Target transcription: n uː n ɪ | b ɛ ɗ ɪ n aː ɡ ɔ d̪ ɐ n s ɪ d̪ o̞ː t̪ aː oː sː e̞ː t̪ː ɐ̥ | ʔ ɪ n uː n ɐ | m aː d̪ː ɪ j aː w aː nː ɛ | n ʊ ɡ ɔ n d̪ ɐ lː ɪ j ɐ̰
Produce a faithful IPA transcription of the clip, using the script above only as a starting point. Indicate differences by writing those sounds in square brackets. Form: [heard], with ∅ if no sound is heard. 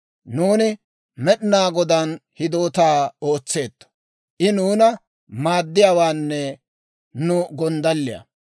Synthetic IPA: n uː n ɪ | [m] ɛ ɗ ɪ n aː ɡ ɔ d̪ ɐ n [h] ɪ d̪ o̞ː t̪ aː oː [t͡sː] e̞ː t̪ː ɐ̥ | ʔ ɪ n uː n ɐ | m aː d̪ː ɪ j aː w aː nː ɛ | n ʊ ɡ ɔ n d̪ ɐ lː ɪ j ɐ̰